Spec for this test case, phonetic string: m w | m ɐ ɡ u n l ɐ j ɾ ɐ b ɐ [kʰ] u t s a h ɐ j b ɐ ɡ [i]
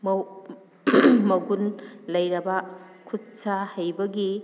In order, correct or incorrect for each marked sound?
correct, correct

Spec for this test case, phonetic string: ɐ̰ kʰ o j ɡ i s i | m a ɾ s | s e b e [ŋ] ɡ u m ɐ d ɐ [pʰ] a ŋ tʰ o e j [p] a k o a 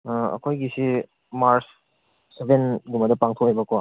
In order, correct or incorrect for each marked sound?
incorrect: n, incorrect: p, incorrect: b

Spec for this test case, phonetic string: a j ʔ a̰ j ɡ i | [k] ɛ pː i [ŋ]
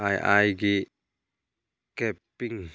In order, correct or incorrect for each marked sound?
correct, correct

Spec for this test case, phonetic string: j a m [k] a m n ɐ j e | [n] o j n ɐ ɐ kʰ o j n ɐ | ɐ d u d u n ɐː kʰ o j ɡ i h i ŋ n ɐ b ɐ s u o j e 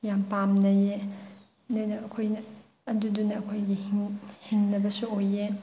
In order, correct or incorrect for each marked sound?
incorrect: p, correct

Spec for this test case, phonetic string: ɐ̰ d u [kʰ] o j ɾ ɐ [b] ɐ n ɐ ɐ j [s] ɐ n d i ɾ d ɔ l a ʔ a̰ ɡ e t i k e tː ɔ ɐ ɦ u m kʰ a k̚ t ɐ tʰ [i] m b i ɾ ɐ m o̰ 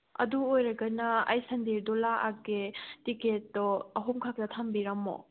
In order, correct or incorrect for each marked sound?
incorrect: none, incorrect: ɡ, correct, incorrect: a

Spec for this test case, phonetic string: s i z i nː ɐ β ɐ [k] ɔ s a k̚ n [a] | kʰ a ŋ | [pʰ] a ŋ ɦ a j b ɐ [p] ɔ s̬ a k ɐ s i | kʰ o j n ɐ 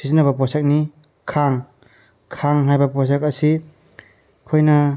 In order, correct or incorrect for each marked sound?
incorrect: p, incorrect: i, incorrect: kʰ, correct

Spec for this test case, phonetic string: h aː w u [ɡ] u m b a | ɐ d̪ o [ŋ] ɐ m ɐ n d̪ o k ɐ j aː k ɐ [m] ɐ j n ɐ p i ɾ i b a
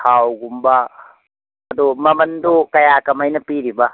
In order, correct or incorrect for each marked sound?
correct, incorrect: m, correct

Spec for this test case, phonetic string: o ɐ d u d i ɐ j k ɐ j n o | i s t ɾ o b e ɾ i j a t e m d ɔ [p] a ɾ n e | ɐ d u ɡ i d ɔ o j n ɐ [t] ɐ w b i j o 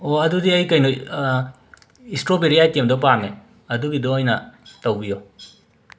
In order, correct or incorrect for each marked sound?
correct, correct

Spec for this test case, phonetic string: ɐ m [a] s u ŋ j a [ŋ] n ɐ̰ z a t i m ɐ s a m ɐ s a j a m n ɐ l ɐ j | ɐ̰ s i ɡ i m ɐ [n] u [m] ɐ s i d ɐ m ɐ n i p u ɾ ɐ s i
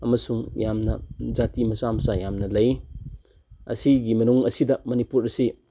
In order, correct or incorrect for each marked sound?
incorrect: ɐ, incorrect: m, correct, incorrect: ŋ

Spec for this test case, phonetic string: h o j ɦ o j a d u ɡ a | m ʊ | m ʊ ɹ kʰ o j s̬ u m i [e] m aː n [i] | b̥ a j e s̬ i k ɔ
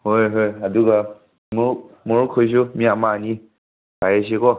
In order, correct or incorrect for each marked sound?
incorrect: a, correct

